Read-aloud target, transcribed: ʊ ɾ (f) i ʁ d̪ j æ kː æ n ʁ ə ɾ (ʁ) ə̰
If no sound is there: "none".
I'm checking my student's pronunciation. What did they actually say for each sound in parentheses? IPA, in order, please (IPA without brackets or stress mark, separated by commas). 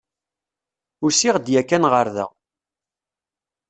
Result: s, ð